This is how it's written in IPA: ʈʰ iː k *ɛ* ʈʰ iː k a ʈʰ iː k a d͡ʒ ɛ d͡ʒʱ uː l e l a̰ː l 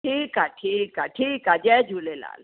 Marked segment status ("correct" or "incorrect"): incorrect